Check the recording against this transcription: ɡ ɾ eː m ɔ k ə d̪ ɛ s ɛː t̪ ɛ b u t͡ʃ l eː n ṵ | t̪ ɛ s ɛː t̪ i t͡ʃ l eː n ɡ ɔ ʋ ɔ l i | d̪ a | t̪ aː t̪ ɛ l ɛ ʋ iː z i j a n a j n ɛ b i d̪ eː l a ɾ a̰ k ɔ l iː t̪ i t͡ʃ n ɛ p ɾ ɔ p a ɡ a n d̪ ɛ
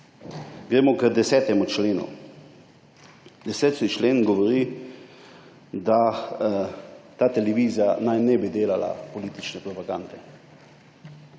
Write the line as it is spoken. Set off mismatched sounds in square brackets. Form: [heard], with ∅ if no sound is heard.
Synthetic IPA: ɡ ɾ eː m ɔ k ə d̪ ɛ s ɛː t̪ ɛ [m] u t͡ʃ l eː n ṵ | [d̪] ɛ s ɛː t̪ i t͡ʃ l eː n ɡ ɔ ʋ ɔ [ɾ] i | d̪ a | t̪ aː t̪ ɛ l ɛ ʋ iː z i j a n a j n ɛ b i d̪ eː l a [l] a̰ [p] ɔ l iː t̪ i t͡ʃ n ɛ p ɾ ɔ p a ɡ a n d̪ ɛ